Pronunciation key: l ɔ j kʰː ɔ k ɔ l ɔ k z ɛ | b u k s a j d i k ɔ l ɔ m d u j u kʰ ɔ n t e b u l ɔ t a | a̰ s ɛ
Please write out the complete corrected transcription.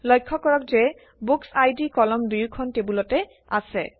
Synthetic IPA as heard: l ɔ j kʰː ɔ k ɔ ɹ ɔ k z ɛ | b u k s a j d i k ɔ l ɔ m d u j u kʰ ɔ n t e b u l ɔ t ɛ | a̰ s ɛ